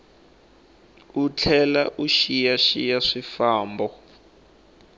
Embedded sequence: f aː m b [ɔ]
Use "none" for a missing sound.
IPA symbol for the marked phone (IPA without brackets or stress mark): ɔ